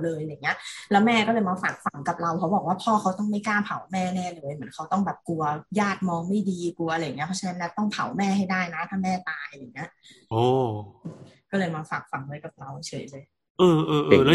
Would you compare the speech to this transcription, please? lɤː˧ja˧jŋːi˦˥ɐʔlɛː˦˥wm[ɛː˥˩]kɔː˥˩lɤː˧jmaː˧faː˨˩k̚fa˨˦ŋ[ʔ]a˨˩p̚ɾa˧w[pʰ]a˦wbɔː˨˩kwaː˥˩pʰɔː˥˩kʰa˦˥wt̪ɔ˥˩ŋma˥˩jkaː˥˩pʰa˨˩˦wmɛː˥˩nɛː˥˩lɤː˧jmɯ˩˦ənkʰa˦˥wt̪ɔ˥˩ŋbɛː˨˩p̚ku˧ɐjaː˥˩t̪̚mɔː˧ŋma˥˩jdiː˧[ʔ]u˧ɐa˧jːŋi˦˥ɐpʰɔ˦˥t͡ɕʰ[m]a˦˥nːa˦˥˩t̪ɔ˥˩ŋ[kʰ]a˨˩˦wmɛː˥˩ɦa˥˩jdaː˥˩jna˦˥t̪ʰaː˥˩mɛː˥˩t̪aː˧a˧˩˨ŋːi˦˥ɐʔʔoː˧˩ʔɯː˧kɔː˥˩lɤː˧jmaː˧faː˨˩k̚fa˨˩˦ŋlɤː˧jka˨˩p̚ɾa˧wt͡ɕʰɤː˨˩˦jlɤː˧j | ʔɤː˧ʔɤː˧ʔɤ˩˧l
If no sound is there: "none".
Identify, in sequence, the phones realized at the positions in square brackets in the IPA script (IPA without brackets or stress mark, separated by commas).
ɛː˥˩, k, kʰ, k, n, pʰ